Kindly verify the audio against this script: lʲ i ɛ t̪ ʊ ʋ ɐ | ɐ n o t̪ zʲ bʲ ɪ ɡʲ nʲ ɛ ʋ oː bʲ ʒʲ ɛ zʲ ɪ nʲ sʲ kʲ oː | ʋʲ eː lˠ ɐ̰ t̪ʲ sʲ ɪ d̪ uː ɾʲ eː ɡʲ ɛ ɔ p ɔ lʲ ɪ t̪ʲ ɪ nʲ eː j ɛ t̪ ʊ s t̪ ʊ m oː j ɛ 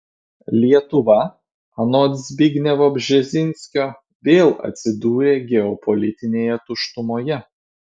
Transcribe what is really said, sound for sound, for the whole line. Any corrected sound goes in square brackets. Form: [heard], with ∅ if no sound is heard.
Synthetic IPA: lʲ i ɛ t̪ ʊ ʋ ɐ | ɐ n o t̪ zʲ bʲ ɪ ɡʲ nʲ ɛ ʋ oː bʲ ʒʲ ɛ zʲ ɪ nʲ sʲ kʲ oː | ʋʲ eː lˠ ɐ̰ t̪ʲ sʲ ɪ d̪ uː ɾʲ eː ɡʲ ɛ ɔ p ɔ lʲ ɪ t̪ʲ ɪ nʲ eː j ɛ t̪ ʊ [ʃ] t̪ ʊ m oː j ɛ